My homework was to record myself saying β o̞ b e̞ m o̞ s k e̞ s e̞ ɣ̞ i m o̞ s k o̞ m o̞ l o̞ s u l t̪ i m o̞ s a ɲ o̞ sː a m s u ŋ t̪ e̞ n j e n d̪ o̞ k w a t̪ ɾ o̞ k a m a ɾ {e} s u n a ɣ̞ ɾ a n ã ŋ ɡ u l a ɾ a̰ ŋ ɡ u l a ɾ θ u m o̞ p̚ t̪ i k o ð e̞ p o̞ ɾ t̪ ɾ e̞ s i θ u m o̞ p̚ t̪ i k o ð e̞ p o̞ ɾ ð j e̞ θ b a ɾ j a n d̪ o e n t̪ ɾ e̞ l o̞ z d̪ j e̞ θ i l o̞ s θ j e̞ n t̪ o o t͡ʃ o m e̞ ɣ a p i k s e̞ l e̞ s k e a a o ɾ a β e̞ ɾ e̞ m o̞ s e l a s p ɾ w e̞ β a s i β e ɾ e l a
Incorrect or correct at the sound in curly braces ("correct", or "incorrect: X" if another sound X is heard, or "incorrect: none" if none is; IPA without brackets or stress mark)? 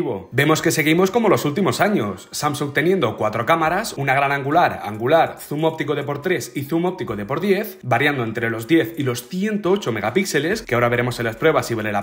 incorrect: a